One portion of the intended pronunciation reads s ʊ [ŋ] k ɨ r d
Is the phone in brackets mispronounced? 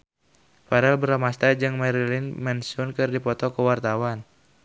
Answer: yes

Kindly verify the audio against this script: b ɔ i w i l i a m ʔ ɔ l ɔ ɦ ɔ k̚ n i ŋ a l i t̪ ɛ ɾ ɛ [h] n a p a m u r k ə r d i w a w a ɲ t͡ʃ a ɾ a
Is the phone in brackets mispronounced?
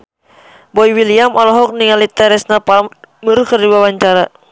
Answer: yes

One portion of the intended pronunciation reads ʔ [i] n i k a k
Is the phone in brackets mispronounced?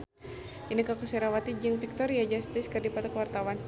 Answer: no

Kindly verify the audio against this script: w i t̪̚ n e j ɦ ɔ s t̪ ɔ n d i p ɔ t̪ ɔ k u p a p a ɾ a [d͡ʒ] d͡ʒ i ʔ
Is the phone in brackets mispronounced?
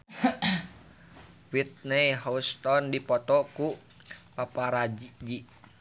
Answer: no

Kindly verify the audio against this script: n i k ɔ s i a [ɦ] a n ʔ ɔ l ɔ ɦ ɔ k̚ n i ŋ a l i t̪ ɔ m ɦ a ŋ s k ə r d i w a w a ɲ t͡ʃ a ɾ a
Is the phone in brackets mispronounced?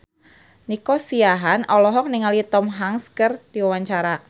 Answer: no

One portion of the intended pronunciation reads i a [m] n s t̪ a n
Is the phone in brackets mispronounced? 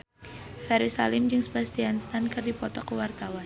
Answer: yes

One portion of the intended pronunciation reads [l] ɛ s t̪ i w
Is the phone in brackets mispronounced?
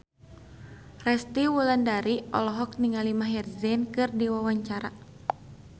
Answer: yes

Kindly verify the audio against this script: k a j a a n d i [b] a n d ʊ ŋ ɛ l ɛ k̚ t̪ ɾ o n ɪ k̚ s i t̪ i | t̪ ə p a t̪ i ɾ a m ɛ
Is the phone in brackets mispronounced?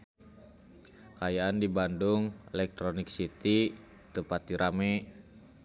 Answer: no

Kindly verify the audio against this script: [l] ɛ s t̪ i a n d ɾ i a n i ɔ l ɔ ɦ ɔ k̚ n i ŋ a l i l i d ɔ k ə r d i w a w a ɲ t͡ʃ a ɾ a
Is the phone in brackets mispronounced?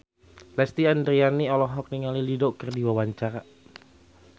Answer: no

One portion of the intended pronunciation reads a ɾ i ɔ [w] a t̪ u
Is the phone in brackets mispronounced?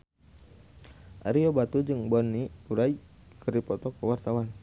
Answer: yes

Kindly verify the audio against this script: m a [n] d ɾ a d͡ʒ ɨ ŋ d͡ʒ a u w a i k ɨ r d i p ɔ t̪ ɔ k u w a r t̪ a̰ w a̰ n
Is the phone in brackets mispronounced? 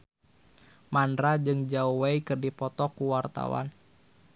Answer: no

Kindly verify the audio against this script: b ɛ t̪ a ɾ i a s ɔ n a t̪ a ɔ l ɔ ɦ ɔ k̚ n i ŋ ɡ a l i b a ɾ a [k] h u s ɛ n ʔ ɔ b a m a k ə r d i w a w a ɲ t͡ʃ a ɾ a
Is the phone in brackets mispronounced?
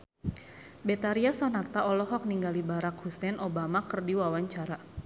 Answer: no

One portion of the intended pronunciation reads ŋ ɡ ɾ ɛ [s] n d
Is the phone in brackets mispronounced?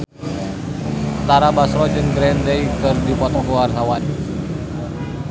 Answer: yes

